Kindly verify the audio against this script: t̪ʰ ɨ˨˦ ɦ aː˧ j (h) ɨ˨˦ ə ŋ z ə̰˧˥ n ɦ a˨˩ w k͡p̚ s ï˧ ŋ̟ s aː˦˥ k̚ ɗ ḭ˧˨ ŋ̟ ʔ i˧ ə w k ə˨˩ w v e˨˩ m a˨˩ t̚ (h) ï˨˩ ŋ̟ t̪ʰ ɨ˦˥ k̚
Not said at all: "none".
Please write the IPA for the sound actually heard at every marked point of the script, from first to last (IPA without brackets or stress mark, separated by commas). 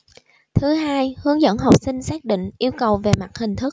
h, h